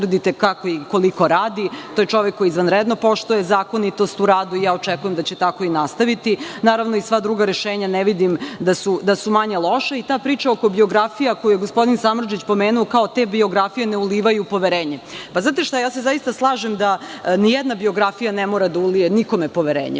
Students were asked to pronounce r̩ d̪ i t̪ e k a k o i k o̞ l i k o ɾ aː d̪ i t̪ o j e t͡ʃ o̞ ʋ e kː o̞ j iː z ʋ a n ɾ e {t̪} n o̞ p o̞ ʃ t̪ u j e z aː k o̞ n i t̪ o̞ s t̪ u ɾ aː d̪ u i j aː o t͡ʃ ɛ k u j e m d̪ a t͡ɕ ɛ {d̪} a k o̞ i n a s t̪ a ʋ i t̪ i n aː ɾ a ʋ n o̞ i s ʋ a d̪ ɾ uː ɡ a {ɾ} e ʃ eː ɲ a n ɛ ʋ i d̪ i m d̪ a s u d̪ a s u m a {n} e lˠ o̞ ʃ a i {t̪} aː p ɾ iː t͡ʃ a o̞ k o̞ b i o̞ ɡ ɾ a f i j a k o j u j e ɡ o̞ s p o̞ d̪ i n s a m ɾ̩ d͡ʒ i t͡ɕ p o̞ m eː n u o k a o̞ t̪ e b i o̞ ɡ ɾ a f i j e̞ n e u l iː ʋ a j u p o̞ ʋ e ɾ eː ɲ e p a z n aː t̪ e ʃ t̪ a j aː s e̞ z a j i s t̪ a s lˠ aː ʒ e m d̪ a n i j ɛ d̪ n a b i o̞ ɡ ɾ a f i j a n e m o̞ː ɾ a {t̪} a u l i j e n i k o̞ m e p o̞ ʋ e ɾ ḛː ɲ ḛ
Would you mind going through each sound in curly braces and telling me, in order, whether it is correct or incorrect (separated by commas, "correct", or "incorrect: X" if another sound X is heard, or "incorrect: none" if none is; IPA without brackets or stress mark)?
incorrect: d̪, incorrect: t̪, correct, incorrect: ɲ, correct, incorrect: d̪